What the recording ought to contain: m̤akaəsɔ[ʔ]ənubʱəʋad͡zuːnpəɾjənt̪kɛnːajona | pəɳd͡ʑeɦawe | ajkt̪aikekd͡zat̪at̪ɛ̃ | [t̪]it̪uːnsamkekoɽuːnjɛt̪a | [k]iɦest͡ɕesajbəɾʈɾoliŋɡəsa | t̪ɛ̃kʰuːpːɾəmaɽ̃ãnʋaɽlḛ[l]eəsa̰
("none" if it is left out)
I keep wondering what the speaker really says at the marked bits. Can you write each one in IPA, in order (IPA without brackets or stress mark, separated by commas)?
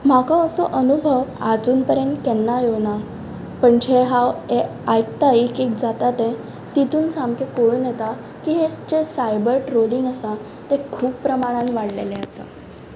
ʔ, t̪, k, l